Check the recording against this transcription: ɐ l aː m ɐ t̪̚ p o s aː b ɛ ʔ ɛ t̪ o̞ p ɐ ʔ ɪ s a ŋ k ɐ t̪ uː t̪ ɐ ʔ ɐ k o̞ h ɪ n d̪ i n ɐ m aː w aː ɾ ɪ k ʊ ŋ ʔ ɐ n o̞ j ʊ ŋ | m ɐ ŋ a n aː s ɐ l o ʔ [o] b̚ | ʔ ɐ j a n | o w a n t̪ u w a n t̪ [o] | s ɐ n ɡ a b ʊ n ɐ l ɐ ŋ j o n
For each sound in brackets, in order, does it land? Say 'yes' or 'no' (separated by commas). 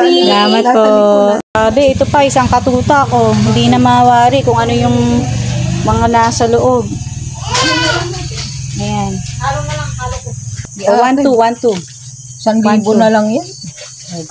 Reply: yes, no